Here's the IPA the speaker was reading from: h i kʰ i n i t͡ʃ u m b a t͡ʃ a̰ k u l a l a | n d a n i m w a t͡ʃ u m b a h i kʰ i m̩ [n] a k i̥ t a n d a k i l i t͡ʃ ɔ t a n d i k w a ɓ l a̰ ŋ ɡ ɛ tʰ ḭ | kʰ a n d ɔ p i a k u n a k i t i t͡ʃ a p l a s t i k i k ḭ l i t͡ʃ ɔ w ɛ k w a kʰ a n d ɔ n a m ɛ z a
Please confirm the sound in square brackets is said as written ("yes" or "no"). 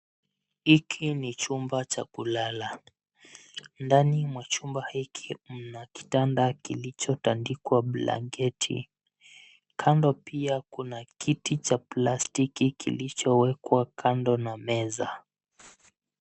yes